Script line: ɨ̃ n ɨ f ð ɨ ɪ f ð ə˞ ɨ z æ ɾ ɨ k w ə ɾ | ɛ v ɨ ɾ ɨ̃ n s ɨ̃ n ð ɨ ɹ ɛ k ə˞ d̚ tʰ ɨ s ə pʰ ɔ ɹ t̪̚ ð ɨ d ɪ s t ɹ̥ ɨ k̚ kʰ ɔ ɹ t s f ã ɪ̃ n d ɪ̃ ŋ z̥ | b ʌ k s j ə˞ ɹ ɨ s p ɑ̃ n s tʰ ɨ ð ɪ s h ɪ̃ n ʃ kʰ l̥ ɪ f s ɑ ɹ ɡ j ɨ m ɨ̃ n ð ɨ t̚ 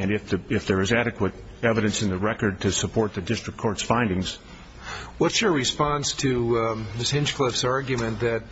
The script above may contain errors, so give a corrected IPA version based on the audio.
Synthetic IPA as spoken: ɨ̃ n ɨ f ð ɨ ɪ f ð ə˞ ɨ z æ ɾ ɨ k w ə ɾ | ɛ v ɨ ɾ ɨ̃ n s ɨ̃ n ð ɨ ɹ ɛ k ə˞ d̚ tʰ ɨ s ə pʰ ɔ ɹ t̪̚ ð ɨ d ɪ s t ɹ̥ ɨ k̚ kʰ ɔ ɹ t s f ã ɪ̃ n d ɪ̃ ŋ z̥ | w ʌ t s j ə˞ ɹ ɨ s p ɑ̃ n s tʰ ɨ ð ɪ s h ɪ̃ n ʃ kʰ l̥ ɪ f s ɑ ɹ ɡ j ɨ m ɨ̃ n ð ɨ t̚